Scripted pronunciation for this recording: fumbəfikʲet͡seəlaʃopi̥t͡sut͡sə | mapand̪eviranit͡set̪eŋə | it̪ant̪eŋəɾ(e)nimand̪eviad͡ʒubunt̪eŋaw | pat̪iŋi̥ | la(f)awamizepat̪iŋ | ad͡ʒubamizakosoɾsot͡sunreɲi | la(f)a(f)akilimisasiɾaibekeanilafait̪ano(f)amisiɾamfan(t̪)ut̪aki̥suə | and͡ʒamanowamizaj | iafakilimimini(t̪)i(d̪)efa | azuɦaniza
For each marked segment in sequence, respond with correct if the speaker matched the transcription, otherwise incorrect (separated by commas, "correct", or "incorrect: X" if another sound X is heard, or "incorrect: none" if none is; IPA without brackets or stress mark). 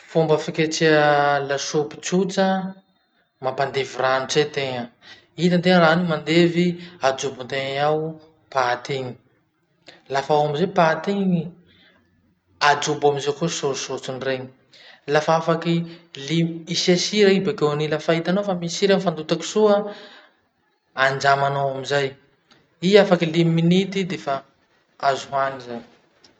incorrect: a, correct, correct, correct, correct, incorrect: d̪, correct, correct